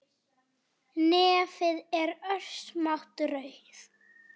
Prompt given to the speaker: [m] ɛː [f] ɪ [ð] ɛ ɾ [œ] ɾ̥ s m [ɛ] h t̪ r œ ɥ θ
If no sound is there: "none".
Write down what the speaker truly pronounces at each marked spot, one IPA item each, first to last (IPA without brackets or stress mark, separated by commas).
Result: n, f, ð, œ, a